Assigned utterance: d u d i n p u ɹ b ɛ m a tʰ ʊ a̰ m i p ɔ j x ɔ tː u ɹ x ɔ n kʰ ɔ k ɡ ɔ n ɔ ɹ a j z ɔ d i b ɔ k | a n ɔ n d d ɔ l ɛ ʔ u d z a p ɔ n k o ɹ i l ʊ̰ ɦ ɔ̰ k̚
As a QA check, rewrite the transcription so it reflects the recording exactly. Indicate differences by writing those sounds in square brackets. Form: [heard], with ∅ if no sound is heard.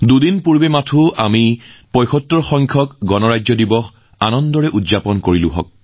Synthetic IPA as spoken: d u d i n p u ɹ b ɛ m a tʰ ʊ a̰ m i p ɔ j x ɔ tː [ɔ] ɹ x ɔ [ŋ] kʰ ɔ k ɡ ɔ n ɔ ɹ a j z ɔ d i b ɔ [x] | a n ɔ n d d ɔ [ɹ] ɛ ʔ u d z a p ɔ n k o ɹ i l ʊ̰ ɦ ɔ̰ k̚